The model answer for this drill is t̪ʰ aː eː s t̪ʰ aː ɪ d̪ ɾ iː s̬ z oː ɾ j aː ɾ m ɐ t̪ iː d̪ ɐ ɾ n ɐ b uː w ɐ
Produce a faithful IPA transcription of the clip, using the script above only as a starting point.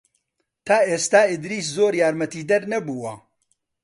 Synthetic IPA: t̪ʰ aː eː s t̪ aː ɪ d̪ ɾ iː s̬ z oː ɾ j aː ɾ m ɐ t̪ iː d̪ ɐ ɾ n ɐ b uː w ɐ

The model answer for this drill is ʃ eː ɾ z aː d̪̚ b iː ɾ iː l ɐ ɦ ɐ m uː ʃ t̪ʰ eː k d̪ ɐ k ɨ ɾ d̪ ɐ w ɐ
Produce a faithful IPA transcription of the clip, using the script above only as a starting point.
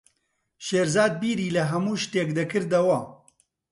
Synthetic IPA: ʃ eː ɾ z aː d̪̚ b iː ɾ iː l ɐ ɦ ɐ m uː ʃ t̪ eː k d̪ ɐ k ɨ ɾ d̪ ɐ w ɐ

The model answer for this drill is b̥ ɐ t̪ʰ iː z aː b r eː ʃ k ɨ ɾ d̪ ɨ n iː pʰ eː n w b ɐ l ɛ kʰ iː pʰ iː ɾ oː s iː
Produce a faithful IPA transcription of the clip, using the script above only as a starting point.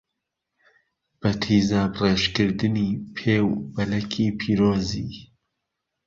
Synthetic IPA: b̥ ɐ t̪ʰ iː z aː b r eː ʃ k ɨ ɾ d̪ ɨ n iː pʰ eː w b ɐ l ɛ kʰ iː pʰ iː ɾ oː z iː

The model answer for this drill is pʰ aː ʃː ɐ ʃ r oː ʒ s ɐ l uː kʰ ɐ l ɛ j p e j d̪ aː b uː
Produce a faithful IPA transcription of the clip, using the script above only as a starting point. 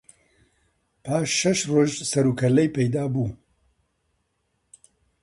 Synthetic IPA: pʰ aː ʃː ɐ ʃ r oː ʒ s ɐ ɾ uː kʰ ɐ l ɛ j p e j d̪ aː b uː

